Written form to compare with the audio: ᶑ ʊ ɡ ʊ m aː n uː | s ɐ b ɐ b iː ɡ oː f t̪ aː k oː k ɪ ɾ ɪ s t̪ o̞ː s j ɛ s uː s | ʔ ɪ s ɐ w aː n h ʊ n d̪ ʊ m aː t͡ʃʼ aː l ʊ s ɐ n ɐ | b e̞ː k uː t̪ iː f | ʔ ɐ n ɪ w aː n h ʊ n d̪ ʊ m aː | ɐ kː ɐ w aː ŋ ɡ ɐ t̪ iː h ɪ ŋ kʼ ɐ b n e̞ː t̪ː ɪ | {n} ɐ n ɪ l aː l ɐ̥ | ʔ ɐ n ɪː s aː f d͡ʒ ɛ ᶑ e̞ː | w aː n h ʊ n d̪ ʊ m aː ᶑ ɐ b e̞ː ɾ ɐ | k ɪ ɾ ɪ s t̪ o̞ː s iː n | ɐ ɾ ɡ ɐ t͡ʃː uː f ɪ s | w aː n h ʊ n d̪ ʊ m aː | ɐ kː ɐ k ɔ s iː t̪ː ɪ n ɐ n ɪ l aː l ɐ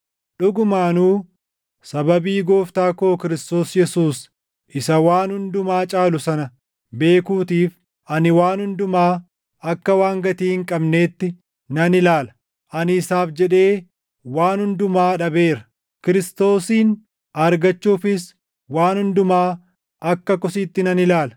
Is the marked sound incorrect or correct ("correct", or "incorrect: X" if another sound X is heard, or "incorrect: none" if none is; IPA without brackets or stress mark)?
correct